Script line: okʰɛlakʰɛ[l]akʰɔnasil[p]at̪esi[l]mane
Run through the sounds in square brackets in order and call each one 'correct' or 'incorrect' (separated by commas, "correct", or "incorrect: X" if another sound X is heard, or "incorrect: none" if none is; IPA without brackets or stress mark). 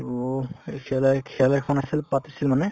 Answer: correct, correct, correct